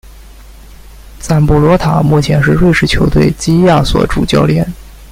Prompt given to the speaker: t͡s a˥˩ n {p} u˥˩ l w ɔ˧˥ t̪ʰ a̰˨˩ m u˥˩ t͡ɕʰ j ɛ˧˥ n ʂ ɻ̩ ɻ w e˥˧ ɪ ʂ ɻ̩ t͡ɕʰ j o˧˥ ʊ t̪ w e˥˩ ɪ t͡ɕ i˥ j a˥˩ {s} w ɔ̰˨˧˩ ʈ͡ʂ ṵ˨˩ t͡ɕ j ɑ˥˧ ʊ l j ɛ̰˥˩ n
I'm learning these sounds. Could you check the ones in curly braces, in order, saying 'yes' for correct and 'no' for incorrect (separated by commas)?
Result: yes, yes